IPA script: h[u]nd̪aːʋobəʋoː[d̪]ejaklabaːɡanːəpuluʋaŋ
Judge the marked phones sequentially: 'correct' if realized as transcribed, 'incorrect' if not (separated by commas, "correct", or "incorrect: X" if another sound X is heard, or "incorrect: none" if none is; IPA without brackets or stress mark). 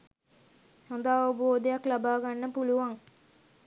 incorrect: o, correct